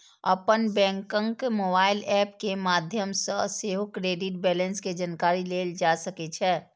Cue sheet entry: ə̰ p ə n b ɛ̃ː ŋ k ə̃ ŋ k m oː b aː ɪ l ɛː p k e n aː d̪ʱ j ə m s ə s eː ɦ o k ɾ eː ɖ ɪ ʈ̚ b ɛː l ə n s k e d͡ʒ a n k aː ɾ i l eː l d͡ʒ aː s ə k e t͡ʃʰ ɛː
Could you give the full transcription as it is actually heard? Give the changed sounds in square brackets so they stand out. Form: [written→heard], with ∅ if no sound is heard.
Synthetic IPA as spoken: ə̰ p ə n b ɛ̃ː ŋ k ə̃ ŋ k m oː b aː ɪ l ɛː p k e [n→m] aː d̪ʱ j ə m s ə s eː ɦ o k ɾ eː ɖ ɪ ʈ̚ b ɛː l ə n s k e d͡ʒ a n k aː ɾ i l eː l d͡ʒ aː s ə k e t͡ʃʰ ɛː